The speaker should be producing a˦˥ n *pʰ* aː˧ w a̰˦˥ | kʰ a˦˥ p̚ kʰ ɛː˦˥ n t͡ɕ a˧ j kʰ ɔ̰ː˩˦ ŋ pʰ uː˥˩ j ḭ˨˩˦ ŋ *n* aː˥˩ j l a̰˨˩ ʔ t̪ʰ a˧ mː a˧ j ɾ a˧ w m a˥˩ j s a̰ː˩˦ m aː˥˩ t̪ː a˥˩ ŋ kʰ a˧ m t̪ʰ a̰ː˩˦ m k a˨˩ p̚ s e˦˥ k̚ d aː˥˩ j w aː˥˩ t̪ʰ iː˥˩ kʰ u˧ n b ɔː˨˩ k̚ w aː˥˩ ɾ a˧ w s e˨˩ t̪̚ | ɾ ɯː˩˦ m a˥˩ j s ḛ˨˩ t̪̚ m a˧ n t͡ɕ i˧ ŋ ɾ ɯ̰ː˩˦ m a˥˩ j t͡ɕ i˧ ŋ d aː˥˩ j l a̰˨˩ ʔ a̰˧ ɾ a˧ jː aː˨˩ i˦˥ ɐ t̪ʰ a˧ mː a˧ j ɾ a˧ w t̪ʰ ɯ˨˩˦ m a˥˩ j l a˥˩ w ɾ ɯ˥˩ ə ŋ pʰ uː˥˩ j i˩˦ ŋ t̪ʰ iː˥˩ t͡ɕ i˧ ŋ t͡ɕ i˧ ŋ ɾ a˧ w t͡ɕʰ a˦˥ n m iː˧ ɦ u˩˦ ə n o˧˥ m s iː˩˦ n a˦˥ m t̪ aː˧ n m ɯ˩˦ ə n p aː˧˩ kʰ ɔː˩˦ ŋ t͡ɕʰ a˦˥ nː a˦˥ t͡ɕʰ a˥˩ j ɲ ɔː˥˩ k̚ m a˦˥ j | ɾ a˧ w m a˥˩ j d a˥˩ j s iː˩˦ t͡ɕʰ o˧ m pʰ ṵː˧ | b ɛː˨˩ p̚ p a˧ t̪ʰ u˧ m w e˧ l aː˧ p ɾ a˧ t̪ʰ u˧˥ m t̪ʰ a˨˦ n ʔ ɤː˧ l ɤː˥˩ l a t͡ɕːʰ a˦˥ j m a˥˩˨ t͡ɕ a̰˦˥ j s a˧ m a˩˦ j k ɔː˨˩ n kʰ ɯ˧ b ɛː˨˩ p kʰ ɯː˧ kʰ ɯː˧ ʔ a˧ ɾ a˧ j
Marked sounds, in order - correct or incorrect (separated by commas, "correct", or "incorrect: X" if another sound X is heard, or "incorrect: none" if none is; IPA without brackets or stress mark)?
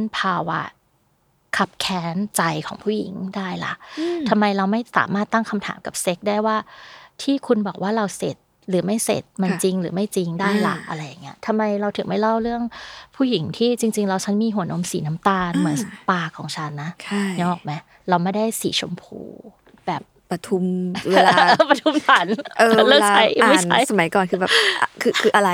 correct, incorrect: d